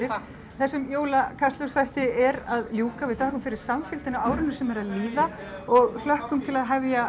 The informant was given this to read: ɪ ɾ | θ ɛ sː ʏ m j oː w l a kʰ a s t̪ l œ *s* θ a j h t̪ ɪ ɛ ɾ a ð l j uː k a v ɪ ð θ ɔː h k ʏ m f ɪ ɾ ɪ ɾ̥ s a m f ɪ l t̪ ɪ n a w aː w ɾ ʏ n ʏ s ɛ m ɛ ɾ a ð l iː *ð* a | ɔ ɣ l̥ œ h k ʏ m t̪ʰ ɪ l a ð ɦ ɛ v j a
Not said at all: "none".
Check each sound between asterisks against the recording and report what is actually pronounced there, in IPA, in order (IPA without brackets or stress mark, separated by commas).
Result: s, ð